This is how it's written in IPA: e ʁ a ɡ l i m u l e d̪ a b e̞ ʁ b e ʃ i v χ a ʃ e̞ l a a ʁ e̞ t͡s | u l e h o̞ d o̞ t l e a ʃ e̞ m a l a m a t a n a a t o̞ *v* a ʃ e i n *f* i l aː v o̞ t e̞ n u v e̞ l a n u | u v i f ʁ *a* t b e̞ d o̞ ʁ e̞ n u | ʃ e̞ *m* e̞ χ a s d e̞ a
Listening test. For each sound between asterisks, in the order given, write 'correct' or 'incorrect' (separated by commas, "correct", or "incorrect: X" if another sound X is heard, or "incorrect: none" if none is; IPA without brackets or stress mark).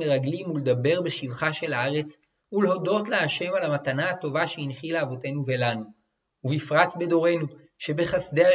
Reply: correct, incorrect: χ, correct, incorrect: b